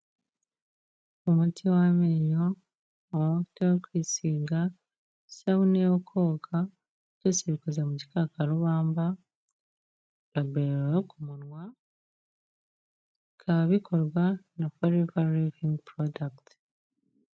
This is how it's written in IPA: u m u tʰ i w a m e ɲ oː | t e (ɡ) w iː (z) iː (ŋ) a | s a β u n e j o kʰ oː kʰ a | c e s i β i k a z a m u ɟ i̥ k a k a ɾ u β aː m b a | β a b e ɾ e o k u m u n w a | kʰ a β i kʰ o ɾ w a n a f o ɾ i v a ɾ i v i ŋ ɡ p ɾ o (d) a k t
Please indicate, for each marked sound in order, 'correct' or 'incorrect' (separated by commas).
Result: incorrect, incorrect, incorrect, correct